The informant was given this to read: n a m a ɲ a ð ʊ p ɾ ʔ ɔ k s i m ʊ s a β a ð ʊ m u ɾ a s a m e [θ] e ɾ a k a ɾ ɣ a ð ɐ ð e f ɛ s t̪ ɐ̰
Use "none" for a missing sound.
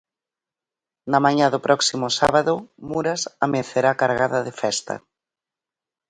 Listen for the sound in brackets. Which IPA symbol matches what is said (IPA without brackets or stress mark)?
θ